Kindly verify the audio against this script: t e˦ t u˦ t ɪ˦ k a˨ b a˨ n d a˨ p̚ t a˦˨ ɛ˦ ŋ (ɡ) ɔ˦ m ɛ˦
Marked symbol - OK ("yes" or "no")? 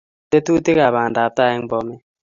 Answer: no